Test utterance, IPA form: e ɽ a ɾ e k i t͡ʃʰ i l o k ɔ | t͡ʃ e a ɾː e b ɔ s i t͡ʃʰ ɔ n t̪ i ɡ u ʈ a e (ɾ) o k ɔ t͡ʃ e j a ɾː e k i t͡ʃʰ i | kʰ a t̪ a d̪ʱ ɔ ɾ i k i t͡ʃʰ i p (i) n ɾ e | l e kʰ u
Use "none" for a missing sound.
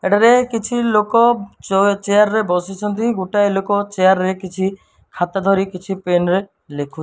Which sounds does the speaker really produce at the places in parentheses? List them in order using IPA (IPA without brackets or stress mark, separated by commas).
l, e